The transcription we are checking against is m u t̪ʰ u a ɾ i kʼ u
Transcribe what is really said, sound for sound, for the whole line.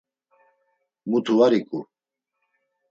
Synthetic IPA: m u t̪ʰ u a ɾ i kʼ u